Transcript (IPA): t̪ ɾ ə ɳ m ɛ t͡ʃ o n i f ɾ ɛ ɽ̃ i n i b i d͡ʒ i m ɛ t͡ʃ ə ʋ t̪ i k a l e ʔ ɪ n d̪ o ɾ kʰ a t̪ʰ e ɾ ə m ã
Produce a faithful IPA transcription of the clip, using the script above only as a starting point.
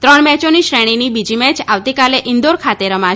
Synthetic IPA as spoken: t̪ ɾ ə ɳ m ɛ t͡ʃ o n i ʃ ɾ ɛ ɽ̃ i n i b i d͡ʒ i m ɛ t͡ʃ a ʋ t̪ i k a l e ʔ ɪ n d̪ o ɾ kʰ a t̪ e ɾ ə m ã

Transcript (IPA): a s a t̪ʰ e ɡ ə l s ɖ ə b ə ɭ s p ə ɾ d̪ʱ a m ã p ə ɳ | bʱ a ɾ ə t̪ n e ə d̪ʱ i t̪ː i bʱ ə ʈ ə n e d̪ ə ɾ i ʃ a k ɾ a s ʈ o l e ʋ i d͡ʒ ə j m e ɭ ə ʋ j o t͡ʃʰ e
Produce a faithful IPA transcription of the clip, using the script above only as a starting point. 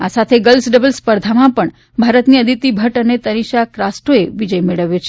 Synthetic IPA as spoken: a s a t̪ʰ e ɡ ə l s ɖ ə b ə l s p ə ɾ d̪ʱ a m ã p ə ɳ | bʱ a ɾ ə t̪ n i ə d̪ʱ i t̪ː i bʱ ə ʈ ə n e t̪ ə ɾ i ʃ a k ɾ a s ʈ o e ʋ i d͡ʒ ə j m e ɭ ə ʋ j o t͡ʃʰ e

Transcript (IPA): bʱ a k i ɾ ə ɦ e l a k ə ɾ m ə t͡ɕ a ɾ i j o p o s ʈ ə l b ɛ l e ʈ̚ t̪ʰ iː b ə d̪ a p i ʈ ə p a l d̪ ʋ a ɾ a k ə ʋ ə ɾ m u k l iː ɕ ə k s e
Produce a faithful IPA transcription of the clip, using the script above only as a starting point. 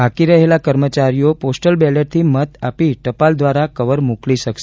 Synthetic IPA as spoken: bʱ a k i ɾ ə ɦ e l a k ə ɾ m ə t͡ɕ a ɾ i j o p o s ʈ ə l b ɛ l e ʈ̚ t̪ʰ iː m ə t̪ a p i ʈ ə p a l d̪ ʋ a ɾ a k ə ʋ ə ɾ m u k l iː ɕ ə k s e

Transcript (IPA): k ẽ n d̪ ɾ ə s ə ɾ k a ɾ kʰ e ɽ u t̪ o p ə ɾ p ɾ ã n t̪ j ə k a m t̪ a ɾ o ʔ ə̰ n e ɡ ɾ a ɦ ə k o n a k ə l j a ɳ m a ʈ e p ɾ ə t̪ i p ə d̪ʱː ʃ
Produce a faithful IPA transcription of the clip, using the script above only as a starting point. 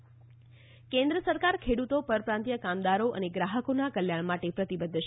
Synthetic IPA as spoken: k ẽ n d̪ ɾ ə s ə ɾ k a ɾ kʰ e ɽ u t̪ o p ə ɾ p ɾ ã n t̪ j ə k a m d̪ a ɾ o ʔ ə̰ n e ɡ ɾ a ɦ ə k o n a k ə l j a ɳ m a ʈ e p ɾ ə t̪ i b ə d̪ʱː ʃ

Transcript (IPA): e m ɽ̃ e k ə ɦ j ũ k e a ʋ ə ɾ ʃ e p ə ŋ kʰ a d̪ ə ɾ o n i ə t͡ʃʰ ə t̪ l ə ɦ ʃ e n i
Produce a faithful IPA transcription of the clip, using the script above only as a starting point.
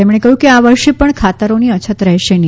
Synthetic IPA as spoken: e m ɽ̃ e k ə ɦ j ũ k e a ʋ ə ɾ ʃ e p ə ɳ kʰ a t̪ ə ɾ o n i ə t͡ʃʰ ə t̪ ɾ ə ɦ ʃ e n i

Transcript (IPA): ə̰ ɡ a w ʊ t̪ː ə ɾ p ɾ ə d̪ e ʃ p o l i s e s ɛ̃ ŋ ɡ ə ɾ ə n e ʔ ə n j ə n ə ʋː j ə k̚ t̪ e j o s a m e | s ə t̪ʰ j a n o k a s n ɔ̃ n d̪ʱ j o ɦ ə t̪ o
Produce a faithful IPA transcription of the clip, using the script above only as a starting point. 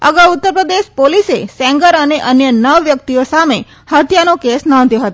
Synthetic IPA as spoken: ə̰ ɡ a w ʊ t̪ː ə ɾ p ɾ ə d̪ e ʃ p o l i s e s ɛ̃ ŋ ɡ ə ɾ ə n e ʔ ə n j ə n ə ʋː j ə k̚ t̪ i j o s a m e | h ə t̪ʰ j a n o k e s n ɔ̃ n d̪ʱ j o ɦ ə t̪ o

